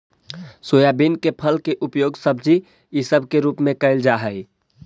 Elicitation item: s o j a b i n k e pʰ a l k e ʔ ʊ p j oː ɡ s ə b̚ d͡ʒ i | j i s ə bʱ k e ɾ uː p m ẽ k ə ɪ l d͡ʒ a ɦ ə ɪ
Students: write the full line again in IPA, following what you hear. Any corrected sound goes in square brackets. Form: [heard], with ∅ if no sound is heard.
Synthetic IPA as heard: s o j a b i n k e pʰ [ə] l k e ʔ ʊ p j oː ɡ s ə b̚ d͡ʒ i | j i s ə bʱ k e ɾ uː p m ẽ k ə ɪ l d͡ʒ a ɦ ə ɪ

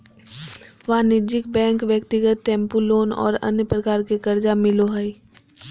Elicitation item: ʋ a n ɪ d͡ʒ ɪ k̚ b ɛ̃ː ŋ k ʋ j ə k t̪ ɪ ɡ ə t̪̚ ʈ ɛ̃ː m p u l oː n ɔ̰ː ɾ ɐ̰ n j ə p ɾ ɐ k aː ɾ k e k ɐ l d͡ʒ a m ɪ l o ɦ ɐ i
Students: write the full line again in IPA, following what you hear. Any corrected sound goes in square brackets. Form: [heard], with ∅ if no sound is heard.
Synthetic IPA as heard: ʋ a n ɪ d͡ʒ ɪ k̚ b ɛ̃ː ŋ k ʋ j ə k t̪ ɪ ɡ ə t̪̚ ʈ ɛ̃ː m p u l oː n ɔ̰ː ɾ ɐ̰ n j ə p ɾ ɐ k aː ɾ k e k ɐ [ɾ] d͡ʒ a m ɪ l o ɦ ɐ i

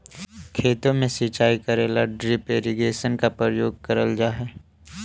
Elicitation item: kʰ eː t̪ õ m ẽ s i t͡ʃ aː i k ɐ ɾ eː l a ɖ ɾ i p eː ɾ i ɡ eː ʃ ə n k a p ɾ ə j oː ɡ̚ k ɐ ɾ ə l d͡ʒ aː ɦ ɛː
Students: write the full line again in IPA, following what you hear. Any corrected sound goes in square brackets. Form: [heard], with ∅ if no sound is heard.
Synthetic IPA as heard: kʰ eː t̪ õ m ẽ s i t͡ʃ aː i k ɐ ɾ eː l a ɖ ɾ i p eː ɾ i ɡ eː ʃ ə n k a p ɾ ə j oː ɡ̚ k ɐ ɾ ə l d͡ʒ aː ɦ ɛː

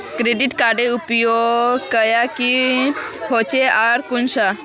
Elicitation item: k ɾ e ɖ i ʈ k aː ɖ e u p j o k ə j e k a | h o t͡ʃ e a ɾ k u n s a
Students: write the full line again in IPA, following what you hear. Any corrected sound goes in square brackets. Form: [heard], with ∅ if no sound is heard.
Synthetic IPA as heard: k ɾ e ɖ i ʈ k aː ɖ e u p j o k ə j [a] k [i] | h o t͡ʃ e a ɾ k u n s a

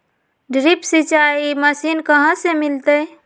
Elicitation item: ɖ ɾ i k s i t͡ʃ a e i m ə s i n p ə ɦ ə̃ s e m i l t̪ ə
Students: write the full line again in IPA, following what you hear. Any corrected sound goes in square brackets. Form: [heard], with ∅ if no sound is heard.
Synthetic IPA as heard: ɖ ɾ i [p] s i t͡ʃ a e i m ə s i n [k] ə ɦ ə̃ s e m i l t̪ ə

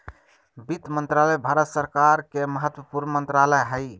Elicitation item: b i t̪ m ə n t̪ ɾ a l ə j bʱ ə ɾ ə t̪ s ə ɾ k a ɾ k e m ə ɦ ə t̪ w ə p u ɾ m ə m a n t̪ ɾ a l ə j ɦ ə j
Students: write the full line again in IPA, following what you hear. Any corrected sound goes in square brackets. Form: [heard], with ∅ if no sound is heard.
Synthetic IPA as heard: b i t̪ m ə n t̪ ɾ a l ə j bʱ [a] ɾ ə t̪ s ə ɾ k a ɾ k e m ə ɦ ə t̪ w ə p u ɾ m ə m [ə] n t̪ ɾ a l ə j ɦ ə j

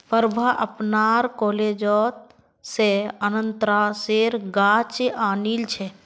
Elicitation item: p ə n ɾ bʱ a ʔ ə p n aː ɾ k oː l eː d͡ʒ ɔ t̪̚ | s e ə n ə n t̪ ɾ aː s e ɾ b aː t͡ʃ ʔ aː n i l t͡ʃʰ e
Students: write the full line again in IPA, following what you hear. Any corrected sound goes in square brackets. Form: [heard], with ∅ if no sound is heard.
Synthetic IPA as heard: p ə [∅] ɾ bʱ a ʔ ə p n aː ɾ k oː l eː d͡ʒ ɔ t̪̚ | s e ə n ə n t̪ ɾ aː s e ɾ [ɡ] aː t͡ʃ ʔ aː n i l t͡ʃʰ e

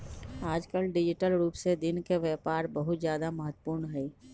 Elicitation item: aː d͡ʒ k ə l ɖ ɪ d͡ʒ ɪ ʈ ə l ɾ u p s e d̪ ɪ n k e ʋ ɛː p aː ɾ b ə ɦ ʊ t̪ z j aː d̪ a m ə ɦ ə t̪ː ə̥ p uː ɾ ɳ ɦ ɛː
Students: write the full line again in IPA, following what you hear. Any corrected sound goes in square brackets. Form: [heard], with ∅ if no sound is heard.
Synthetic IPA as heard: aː d͡ʒ k ə l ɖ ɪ d͡ʒ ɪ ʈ ə l ɾ [uː] p s e d̪ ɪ n k e ʋ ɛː p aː ɾ b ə ɦ ʊ t̪ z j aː d̪ a m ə ɦ ə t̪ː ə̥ p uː ɾ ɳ ɦ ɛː

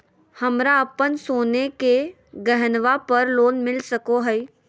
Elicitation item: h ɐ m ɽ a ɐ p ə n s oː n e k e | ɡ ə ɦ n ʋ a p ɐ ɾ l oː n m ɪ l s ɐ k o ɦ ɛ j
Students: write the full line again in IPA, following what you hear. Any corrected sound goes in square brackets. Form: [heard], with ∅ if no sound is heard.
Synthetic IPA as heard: h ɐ m [ɾ] a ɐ p ə n s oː n e k e | ɡ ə ɦ n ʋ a p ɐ ɾ l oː n m ɪ l s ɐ k o ɦ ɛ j

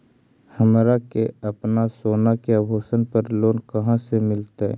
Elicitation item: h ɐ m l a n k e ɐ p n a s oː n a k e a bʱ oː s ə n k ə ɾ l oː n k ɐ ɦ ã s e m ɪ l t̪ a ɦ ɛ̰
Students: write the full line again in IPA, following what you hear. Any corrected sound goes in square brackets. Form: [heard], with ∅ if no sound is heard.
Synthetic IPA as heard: h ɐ m [ɾ] a [∅] k e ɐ p n a s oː n a k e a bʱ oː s ə n [p] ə ɾ l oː n k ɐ ɦ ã s e m ɪ l t̪ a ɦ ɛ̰

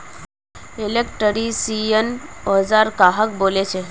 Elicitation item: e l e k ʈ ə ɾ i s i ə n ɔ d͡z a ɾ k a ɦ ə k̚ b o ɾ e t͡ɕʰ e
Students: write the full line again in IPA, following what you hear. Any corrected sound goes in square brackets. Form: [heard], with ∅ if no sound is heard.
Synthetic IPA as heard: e l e k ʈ ə ɾ i s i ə n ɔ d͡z a ɾ k a ɦ ə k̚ b o [l] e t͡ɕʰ e

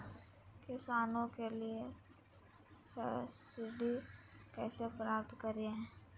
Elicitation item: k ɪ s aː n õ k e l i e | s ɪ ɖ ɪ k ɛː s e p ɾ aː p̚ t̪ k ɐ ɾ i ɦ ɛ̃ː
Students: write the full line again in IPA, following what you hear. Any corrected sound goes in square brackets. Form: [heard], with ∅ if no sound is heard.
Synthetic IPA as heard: k ɪ s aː n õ k e l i e | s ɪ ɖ [i] k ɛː s e p ɾ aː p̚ t̪ k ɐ ɾ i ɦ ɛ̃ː

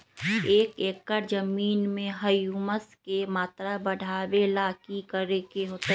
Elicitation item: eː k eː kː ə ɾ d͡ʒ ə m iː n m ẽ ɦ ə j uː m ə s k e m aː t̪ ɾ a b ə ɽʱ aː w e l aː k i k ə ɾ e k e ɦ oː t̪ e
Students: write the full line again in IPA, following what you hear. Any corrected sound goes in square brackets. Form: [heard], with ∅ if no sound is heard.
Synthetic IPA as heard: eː k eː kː ə ɾ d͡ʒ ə m iː n m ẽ ɦ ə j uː m ə s k e m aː t̪ ɾ a b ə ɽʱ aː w e l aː k i k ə ɾ e k e ɦ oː t̪ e

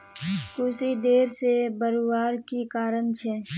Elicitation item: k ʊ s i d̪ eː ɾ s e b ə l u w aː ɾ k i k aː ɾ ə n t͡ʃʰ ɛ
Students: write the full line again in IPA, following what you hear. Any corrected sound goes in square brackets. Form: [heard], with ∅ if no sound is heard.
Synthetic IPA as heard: k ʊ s i d̪ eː ɾ s e b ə [ɾ] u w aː ɾ k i k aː ɾ ə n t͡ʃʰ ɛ

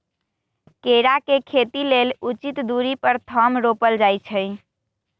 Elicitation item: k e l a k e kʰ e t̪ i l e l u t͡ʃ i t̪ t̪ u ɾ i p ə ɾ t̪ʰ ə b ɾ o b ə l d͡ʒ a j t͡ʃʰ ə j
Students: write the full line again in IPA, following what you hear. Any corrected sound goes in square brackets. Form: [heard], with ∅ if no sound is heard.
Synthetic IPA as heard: k e [ɾ] a k e kʰ e t̪ i l e l u t͡ʃ i t̪ [d̪] u ɾ i p ə ɾ t̪ʰ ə [m] ɾ o [p] ə l d͡ʒ a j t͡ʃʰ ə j

